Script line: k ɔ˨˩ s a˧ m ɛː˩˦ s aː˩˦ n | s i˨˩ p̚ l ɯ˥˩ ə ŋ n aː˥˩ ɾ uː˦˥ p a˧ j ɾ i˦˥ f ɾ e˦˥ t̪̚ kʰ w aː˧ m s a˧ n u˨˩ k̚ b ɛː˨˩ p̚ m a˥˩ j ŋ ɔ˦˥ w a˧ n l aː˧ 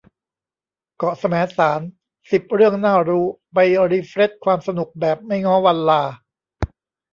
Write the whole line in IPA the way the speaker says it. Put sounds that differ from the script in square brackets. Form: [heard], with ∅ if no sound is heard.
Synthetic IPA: k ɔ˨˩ s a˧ m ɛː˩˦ s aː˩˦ n | s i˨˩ p̚ [ɾ] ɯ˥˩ ə ŋ n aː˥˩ ɾ uː˦˥ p a˧ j ɾ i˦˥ f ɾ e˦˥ t̪̚ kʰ w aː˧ m s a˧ n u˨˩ k̚ b ɛː˨˩ p̚ m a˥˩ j ŋ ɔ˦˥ w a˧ n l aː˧